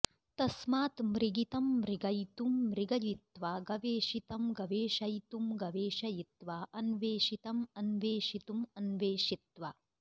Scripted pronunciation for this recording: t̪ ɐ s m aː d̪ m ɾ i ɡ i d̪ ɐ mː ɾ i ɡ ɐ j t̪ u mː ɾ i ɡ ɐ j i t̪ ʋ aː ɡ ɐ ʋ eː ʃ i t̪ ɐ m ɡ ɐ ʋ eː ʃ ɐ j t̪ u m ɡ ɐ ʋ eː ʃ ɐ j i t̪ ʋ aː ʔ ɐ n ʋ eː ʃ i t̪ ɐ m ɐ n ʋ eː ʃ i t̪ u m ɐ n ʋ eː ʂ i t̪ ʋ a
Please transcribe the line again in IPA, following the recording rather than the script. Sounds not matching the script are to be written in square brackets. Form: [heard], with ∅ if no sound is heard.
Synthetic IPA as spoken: t̪ ɐ s m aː [t̪] m ɾ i ɡ i [t̪] ɐ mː ɾ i ɡ ɐ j t̪ u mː ɾ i ɡ ɐ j i t̪ ʋ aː ɡ ɐ ʋ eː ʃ i t̪ ɐ m ɡ ɐ ʋ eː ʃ ɐ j t̪ u m ɡ ɐ ʋ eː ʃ ɐ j i t̪ ʋ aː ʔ ɐ n ʋ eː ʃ i t̪ ɐ m ɐ n ʋ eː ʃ i t̪ u m ɐ n ʋ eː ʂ i t̪ ʋ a